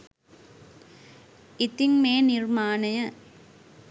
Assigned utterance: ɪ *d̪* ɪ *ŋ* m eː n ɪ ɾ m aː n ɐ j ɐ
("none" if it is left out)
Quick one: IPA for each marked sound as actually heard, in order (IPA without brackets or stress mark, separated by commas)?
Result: t̪, ŋ